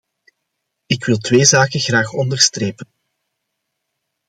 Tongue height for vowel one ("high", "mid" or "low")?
high